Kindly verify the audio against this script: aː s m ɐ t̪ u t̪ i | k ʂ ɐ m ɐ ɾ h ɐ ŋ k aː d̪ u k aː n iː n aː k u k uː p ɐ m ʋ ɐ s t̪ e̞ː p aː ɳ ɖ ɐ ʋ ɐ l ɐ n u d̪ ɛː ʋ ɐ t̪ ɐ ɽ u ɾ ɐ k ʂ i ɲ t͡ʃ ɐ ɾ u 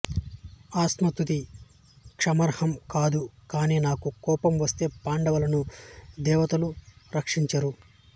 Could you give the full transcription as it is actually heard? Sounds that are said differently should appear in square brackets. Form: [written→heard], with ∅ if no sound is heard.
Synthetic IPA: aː s m ɐ t̪ u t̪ i | k ʂ ɐ m ɐ ɾ h ɐ [ŋ→m] k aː d̪ u k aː n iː n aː k u k [uː→ɔː] p ɐ m ʋ ɐ s t̪ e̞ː p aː ɳ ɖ ɐ ʋ ɐ l ɐ n u d̪ ɛː ʋ ɐ t̪ ɐ [ɽ→l] u ɾ ɐ k ʂ i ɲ t͡ʃ ɐ ɾ u

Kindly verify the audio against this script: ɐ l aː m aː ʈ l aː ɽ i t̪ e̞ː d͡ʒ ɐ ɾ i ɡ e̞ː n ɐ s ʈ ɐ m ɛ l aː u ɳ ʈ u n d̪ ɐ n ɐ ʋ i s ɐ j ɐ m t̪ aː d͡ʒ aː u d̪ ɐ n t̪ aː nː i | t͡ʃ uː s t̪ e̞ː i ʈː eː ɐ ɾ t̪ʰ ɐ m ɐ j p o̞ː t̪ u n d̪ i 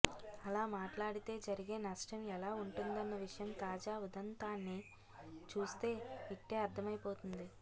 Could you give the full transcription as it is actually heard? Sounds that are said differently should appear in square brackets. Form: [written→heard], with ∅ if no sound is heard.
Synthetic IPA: ɐ l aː m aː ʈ l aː ɽ i t̪ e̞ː d͡ʒ ɐ ɾ i ɡ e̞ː n ɐ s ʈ ɐ m ɛ l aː u ɳ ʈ u n d̪ ɐ [n→nː] ɐ ʋ i [s→ʂ] ɐ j ɐ m t̪ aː d͡ʒ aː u d̪ ɐ n t̪ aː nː i | t͡ʃ uː s t̪ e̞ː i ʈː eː ɐ ɾ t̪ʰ ɐ m ɐ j p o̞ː t̪ u n d̪ i

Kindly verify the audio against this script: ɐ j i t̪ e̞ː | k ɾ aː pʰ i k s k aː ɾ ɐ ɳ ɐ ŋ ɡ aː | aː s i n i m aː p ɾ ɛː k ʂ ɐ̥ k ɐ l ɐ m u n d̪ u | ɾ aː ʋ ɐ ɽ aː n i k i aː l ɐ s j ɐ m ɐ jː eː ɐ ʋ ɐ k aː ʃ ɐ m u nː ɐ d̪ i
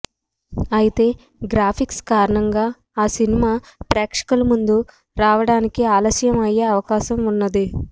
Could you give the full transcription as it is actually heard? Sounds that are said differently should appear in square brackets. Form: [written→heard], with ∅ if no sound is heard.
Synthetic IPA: ɐ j i t̪ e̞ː | [k→ɡ] ɾ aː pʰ i k s k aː ɾ ɐ ɳ ɐ ŋ ɡ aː | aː s i n i m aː p ɾ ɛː k ʂ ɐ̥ k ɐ l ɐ m u n d̪ u | ɾ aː ʋ ɐ ɽ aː n i k i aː l ɐ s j ɐ m ɐ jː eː ɐ ʋ ɐ k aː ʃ ɐ m u nː ɐ d̪ i

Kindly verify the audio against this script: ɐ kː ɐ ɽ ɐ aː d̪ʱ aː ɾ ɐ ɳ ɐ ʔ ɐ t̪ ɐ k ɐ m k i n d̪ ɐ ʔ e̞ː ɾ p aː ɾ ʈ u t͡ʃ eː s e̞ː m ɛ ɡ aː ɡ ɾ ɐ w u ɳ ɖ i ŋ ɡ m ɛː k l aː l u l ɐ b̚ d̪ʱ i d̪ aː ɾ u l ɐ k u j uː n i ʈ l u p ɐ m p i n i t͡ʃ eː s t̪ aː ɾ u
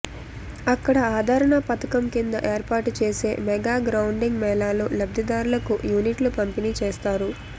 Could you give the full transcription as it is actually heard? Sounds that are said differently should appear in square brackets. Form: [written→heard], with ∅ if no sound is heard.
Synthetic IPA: ɐ kː ɐ ɽ ɐ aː d̪ʱ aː ɾ ɐ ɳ ɐ [ʔ→p] ɐ t̪ ɐ k ɐ m k i n d̪ ɐ ʔ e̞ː ɾ p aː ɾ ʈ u t͡ʃ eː s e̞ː m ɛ ɡ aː ɡ ɾ ɐ w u ɳ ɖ i ŋ ɡ m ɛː [k→∅] l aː l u l ɐ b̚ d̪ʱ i d̪ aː ɾ u l ɐ k u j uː n i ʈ l u p ɐ m p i n i t͡ʃ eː s t̪ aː ɾ u

